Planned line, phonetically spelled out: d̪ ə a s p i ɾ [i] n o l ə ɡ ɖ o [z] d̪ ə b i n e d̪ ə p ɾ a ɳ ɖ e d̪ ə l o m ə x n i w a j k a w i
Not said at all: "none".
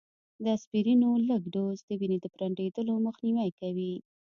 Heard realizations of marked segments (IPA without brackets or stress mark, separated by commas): i, z